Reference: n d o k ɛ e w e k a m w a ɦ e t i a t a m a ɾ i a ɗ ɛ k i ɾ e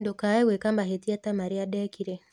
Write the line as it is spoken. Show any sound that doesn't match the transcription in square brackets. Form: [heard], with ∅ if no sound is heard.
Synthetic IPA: n d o k [a] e w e k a m [b] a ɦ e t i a t a m a ɾ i a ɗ ɛ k i ɾ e

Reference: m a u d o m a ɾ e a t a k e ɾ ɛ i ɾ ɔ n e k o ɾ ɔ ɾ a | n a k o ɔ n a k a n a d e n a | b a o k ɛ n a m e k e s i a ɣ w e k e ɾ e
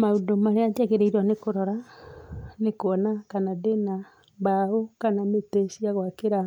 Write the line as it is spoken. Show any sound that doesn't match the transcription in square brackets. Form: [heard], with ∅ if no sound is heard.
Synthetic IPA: m a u d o m a ɾ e a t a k e ɾ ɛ i ɾ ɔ n e k o ɾ ɔ ɾ a | n [e] k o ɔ n a k a n a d e n a | b a o k [a] n a m e [t] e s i a ɣ w [a] k e ɾ [a]

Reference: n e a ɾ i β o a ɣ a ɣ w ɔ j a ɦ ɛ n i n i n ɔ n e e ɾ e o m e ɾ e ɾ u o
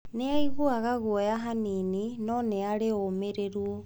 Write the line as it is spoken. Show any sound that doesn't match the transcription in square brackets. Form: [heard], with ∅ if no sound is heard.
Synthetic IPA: n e a [∅] i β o a ɣ a ɣ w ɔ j a ɦ [a] n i n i n ɔ n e [a] ɾ e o m e ɾ e ɾ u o

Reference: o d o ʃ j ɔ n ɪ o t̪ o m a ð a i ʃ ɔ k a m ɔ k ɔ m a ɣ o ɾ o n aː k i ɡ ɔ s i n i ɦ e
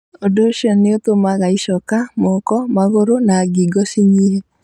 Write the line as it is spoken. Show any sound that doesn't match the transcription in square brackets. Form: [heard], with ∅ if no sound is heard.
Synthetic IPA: o d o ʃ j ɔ n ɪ o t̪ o m a [ɣ] a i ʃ ɔ k a m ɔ k ɔ m a ɣ o ɾ o n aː [ɡ] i ɡ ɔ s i [ɲ] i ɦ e

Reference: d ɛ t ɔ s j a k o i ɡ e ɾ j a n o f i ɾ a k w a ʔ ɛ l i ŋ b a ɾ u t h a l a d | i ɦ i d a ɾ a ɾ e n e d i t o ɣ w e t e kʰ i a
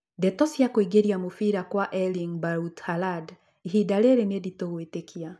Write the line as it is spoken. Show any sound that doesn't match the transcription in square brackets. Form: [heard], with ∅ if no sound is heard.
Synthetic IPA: d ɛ t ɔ s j a k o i ɡ e ɾ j a [m] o f i ɾ a k w a ʔ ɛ l i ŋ b a ɾ u t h a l a d | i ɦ i d a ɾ [e] ɾ e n e d i t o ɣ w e t e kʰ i a

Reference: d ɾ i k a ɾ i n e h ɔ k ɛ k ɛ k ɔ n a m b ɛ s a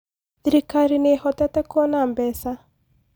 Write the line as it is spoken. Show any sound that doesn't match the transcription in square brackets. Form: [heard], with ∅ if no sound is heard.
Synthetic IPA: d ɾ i k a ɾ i n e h ɔ [t] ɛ [t] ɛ k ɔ n a m b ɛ s a

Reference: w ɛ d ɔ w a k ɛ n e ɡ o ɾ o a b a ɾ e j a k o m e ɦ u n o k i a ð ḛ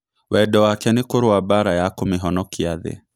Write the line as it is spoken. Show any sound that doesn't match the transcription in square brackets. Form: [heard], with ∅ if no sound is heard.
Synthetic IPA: w ɛ d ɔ w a k ɛ n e [k] o ɾ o a b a ɾ [a] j a k o m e ɦ [ɔ] n [ɔ] k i a ð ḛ

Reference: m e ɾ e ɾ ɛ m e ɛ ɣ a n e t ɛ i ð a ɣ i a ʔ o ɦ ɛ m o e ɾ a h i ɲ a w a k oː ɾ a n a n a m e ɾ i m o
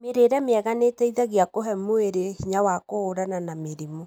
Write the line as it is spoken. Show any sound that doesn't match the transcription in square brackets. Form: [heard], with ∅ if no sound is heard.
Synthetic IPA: m e ɾ e ɾ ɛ m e ɛ ɣ a n e t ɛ i ð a ɣ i a [k] o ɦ ɛ m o e ɾ [e] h i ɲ a w a k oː ɾ a n a n a m e ɾ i m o

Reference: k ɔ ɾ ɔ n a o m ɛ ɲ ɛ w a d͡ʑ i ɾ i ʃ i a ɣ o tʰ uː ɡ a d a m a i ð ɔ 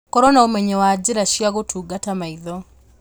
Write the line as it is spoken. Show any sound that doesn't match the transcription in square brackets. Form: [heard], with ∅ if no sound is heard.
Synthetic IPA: k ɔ ɾ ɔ n a o m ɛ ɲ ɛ w a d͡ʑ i ɾ [a] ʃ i a ɣ o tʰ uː ɡ a [t] a m a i ð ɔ

